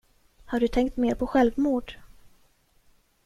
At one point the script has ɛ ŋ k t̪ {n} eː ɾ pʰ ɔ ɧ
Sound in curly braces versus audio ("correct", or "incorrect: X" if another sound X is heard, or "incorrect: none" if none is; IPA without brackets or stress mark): incorrect: m